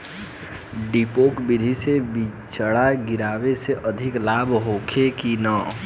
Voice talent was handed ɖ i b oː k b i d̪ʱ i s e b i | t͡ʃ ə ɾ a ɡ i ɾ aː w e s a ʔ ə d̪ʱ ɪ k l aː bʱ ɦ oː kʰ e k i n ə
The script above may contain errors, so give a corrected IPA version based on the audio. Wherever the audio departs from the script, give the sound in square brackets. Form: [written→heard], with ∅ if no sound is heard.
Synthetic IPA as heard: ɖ i [b→p] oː k b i d̪ʱ i s e b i | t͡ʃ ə [ɾ→ɽ] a ɡ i ɾ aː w e s [a→e] ʔ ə d̪ʱ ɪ k l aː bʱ ɦ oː kʰ e k i n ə